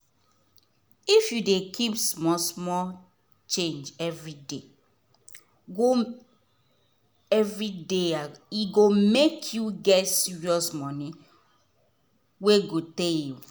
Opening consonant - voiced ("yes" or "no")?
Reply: no